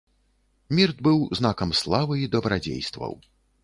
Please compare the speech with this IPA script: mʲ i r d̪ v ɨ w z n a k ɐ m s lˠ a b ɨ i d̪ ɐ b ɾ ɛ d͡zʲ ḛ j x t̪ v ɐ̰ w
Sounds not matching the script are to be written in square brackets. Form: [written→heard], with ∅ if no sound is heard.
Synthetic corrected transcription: mʲ i r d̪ [v→b] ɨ w z n a k ɐ m s lˠ a [b→v] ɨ i d̪ ɐ b ɾ [ɛ→a] d͡zʲ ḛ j [x→s] t̪ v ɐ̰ w

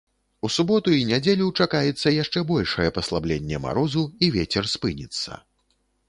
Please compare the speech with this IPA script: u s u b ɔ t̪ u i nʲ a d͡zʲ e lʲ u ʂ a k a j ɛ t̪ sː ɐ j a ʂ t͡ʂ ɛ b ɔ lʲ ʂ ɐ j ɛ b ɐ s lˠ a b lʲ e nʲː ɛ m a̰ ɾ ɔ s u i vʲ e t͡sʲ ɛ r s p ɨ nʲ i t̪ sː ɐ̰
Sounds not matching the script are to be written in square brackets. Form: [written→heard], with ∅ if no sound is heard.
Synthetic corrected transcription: u s u b ɔ t̪ u i nʲ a d͡zʲ e lʲ u [ʂ→t͡ʂ] a k a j ɛ t̪ sː ɐ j a ʂ t͡ʂ ɛ b ɔ lʲ ʂ ɐ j ɛ [b→p] ɐ s lˠ a b lʲ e nʲː ɛ m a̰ ɾ ɔ [s→z] u i vʲ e t͡sʲ ɛ r s p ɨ nʲ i t̪ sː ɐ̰

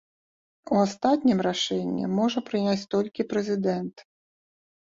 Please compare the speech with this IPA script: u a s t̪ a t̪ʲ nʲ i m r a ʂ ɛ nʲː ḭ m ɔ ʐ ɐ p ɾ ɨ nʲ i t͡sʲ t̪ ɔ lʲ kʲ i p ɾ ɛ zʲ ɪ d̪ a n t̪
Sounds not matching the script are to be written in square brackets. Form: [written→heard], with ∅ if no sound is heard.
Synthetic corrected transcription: u a s t̪ a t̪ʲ nʲ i m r a ʂ ɛ nʲː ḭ m ɔ ʐ ɐ p ɾ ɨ nʲ [i→a] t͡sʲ t̪ ɔ lʲ kʲ i p ɾ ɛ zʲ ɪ d̪ [a→ɛ] n t̪

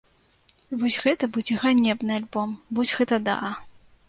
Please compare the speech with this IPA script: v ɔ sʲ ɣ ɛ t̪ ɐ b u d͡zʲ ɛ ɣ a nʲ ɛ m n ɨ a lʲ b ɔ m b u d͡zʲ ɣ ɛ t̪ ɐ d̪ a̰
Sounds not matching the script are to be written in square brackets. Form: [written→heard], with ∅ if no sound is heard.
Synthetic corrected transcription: v ɔ sʲ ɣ ɛ t̪ ɐ b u d͡zʲ ɛ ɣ a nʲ ɛ [m→b] n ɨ a lʲ b ɔ m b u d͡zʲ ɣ ɛ t̪ ɐ d̪ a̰

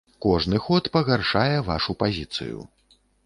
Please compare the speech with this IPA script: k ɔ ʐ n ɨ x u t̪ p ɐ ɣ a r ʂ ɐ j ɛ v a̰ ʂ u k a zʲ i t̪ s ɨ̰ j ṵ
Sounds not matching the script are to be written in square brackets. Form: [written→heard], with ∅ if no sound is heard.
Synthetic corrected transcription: k ɔ ʐ n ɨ x [u→ɔ] t̪ p ɐ ɣ a r ʂ [ɐ→a] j ɛ v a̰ ʂ u [k→p] a zʲ i t̪ s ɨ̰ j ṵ

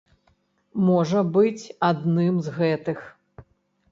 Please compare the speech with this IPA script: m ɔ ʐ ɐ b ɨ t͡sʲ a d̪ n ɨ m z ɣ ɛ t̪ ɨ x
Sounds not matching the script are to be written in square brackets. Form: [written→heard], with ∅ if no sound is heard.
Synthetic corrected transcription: m ɔ ʐ ɐ b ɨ t͡sʲ a d̪ n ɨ m z ɣ ɛ t̪ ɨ x

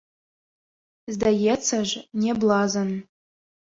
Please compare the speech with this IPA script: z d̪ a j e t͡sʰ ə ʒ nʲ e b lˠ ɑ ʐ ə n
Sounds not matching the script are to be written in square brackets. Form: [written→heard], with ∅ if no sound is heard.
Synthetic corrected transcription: z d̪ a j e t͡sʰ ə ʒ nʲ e b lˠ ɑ [ʐ→z] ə n

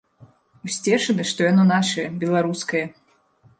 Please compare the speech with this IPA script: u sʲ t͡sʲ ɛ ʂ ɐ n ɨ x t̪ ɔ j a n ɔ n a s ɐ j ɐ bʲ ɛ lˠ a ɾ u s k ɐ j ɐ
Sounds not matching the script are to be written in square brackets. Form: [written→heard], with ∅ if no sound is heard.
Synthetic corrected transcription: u sʲ t͡sʲ ɛ ʂ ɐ n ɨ [x→ʂ] t̪ ɔ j a n ɔ n a [s→ʂ] ɐ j ɐ bʲ ɛ lˠ a ɾ u s k ɐ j ɐ

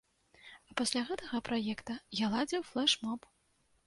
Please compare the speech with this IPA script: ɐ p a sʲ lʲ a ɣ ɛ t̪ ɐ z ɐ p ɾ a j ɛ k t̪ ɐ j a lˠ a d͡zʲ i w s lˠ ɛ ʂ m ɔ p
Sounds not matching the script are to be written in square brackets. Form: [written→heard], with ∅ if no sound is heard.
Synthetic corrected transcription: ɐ p a sʲ lʲ a ɣ ɛ t̪ ɐ [z→ɣ] ɐ p ɾ a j ɛ k t̪ ɐ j a lˠ a d͡zʲ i w [s→f] lˠ ɛ ʂ m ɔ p

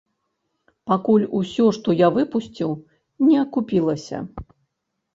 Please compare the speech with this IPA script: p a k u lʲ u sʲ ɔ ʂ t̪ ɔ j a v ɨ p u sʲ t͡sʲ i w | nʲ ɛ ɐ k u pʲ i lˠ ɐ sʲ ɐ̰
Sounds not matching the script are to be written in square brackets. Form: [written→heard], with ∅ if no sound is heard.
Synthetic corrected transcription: p a k u lʲ u sʲ ɔ ʂ t̪ ɔ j a v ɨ p u sʲ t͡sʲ i w | nʲ ɛ ɐ k u pʲ i lˠ ɐ sʲ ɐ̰

